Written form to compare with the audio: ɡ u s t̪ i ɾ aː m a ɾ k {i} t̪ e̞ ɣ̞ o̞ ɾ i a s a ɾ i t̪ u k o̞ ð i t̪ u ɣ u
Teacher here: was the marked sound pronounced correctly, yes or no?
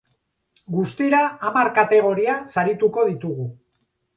no